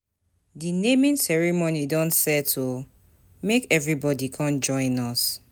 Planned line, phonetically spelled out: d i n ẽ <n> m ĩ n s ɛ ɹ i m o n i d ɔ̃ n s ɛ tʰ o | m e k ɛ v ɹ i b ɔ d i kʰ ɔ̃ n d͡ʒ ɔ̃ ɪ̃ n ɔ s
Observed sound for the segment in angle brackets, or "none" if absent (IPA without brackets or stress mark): none